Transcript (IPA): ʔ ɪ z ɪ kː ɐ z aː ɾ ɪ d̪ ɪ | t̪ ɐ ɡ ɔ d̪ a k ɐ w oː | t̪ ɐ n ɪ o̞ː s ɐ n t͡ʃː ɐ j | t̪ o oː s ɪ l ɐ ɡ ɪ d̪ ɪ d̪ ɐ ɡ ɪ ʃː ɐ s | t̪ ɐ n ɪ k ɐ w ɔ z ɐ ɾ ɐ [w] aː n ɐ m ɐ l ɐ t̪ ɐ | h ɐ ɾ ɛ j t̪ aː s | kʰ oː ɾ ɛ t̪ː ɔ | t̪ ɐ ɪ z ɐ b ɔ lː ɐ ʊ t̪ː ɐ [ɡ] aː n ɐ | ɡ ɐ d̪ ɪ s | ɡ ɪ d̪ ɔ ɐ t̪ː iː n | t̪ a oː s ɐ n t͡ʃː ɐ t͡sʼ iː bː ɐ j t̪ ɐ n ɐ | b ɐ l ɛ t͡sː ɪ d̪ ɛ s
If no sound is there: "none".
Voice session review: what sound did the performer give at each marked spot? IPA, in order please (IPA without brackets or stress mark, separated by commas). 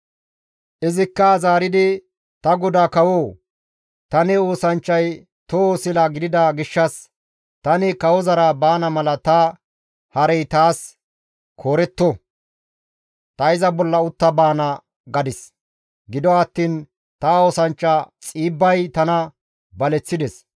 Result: b, b